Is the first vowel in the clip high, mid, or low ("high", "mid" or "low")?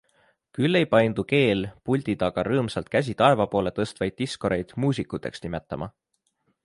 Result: high